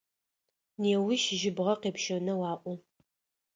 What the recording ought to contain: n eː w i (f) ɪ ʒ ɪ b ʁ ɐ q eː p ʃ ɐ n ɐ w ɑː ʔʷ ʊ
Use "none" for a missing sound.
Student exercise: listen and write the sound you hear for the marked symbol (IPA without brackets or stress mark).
ʃ